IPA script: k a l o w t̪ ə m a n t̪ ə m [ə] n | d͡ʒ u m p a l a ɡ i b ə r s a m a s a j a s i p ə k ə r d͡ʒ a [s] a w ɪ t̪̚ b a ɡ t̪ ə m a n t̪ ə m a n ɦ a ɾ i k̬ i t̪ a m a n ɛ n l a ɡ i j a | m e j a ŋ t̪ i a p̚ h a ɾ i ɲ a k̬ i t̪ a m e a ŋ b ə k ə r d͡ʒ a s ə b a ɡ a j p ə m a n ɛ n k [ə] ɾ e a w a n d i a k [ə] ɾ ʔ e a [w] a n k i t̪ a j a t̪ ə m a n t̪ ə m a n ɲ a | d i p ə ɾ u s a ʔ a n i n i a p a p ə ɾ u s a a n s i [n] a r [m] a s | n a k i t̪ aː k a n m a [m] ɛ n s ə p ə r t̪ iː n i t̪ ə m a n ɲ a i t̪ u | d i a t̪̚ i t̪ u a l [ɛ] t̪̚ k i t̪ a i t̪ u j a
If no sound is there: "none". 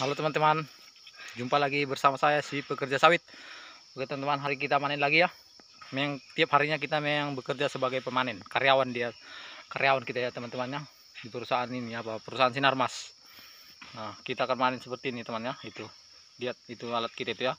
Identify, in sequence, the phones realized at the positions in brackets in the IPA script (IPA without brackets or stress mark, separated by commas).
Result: a, s, a, a, w, n, m, n, a